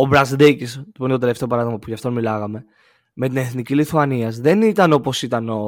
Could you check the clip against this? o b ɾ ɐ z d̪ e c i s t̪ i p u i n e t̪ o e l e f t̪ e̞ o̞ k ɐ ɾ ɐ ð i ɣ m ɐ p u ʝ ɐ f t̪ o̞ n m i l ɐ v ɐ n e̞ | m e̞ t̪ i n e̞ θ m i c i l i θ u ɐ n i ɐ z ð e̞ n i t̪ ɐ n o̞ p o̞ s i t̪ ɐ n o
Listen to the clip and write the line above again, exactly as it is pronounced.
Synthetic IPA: o b ɾ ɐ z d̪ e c i s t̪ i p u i n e t̪ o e l e f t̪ e̞ o̞ p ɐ ɾ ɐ ð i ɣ m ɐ p u ʝ ɐ f t̪ o̞ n m i l ɐ ɣ ɐ m e̞ | m e̞ t̪ i n e̞ θ n i c i l i θ u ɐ n i ɐ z ð e̞ n i t̪ ɐ n o̞ p o̞ s i t̪ ɐ n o